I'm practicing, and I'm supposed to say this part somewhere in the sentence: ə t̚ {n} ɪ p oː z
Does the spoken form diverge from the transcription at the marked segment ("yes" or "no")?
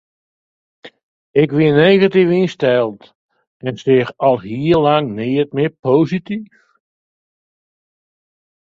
yes